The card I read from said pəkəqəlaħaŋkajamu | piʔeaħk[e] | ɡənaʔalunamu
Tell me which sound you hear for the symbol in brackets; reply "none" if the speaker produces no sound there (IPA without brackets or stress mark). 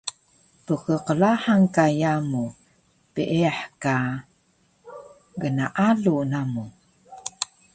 a